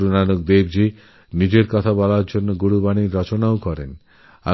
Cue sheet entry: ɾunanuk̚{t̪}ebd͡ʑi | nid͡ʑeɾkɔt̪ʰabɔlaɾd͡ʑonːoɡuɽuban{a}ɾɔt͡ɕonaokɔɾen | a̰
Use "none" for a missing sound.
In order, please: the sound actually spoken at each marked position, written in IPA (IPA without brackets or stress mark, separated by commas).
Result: d̪, i